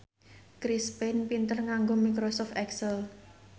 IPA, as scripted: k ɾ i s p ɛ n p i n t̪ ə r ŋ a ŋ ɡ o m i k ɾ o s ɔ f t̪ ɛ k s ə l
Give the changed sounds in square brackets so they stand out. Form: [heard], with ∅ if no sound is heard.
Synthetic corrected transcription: k ɾ i s p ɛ n p i n t̪ ə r ŋ a ŋ ɡ o m i k ɾ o s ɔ f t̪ ɛ k s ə l